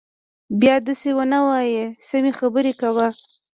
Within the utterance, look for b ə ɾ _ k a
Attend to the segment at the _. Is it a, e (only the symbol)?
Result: e